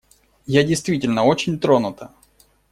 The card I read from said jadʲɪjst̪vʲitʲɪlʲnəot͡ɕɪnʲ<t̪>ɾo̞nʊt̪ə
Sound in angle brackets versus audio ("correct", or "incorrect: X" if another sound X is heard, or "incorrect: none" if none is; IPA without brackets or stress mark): correct